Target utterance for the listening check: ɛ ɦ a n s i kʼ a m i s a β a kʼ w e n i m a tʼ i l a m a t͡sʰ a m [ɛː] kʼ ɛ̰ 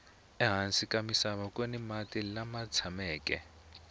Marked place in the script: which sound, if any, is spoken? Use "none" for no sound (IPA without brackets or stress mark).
ɛː